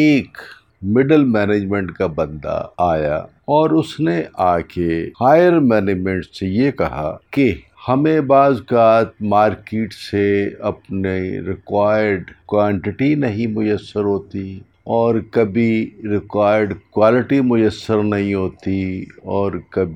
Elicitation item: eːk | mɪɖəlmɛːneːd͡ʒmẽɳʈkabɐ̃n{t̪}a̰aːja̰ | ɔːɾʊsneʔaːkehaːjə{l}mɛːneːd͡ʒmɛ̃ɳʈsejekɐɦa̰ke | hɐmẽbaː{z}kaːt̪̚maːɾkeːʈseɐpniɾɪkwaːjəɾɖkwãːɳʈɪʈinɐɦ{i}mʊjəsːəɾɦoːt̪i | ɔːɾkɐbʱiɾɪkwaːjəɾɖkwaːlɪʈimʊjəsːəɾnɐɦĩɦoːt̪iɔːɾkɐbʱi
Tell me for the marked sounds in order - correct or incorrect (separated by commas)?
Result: incorrect, incorrect, correct, incorrect